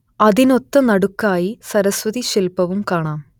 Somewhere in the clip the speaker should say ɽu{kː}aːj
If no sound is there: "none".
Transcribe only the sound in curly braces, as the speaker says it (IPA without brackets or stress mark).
kː